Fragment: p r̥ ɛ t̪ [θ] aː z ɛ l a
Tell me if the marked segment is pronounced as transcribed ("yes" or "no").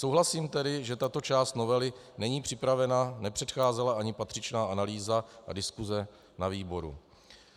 no